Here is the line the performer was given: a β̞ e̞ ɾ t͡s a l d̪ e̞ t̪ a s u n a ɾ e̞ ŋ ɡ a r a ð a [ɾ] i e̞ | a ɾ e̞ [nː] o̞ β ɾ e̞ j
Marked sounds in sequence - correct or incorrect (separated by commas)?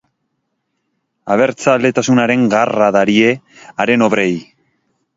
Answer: correct, incorrect